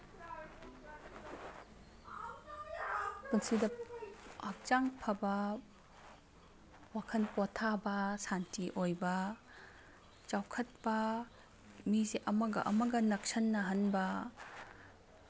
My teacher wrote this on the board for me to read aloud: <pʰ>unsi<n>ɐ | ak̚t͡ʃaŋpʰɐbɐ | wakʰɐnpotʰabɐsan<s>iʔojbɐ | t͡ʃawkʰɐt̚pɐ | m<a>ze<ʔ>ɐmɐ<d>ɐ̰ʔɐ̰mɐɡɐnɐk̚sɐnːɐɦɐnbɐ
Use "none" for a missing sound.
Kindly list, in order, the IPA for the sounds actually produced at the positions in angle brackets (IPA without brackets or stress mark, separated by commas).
p, d, t, i, ʔ, ɡ